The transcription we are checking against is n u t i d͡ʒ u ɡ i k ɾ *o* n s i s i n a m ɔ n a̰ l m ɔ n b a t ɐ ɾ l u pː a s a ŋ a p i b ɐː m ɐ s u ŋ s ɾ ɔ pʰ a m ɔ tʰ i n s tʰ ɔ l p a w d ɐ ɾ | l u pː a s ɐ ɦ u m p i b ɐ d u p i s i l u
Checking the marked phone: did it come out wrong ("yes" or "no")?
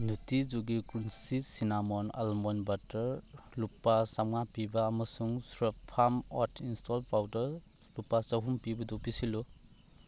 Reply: yes